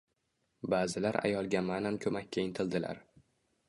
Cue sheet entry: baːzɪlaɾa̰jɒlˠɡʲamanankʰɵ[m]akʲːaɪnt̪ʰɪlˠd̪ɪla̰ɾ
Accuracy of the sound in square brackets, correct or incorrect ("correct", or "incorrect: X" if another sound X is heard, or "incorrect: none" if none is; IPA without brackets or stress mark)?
correct